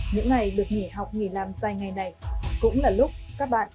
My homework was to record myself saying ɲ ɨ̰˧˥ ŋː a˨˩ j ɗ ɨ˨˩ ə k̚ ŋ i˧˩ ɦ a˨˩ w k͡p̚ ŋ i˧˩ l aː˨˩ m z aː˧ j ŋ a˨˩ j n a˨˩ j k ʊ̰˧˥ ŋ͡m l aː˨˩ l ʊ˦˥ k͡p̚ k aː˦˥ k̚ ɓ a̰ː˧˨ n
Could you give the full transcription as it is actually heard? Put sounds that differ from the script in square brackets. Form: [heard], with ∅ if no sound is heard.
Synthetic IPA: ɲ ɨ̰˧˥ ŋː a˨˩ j ɗ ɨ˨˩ ə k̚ ŋ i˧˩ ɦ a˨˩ w k͡p̚ ŋ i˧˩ l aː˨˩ m z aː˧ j ŋ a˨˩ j n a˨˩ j k ʊ̰˧˥ ŋ͡m l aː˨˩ l ʊ˦˥ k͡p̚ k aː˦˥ k̚ ɓ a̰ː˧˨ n